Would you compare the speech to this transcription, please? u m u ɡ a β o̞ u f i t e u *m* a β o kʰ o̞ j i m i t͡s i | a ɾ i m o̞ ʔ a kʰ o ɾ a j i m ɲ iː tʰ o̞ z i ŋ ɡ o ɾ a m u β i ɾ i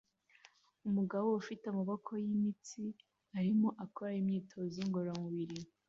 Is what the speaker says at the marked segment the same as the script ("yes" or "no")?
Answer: yes